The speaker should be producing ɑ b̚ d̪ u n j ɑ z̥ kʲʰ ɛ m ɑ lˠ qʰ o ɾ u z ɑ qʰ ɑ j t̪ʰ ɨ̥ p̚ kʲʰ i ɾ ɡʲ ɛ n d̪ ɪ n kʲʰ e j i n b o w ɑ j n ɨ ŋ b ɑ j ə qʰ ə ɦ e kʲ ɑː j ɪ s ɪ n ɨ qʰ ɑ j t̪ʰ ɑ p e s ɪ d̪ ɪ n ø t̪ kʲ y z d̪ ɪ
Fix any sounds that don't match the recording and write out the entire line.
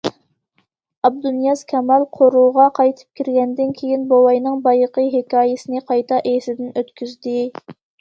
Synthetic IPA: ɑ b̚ d̪ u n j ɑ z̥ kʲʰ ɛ m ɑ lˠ qʰ o ɾ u ʁ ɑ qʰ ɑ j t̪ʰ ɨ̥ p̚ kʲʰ i ɾ ɡʲ ɛ n d̪ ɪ n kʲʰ e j i n b o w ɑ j n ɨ ŋ b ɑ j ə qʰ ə ɦ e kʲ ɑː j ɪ s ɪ n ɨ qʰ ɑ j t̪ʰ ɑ ʔ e s ɪ d̪ ɪ n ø t̪ kʲ y z d̪ ɪ